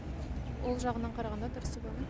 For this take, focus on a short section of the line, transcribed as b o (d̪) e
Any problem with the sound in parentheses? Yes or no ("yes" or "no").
yes